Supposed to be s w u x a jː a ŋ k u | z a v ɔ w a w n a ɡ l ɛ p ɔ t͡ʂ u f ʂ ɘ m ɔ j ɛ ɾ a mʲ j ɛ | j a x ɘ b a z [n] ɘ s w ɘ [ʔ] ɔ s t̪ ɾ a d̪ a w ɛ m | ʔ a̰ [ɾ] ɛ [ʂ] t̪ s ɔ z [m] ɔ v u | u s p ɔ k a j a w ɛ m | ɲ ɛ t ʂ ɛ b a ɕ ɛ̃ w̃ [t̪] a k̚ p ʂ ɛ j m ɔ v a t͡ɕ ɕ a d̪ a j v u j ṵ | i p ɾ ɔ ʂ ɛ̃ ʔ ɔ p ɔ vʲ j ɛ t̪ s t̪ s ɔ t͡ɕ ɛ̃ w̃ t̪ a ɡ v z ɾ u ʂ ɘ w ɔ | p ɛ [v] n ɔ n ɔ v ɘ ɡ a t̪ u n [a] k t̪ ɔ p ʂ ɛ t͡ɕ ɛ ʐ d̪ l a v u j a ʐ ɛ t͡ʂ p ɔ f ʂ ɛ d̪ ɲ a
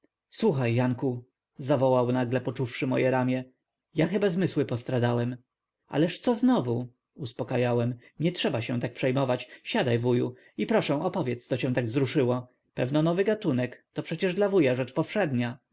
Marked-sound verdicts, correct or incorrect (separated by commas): incorrect, incorrect, incorrect, correct, incorrect, correct, correct, incorrect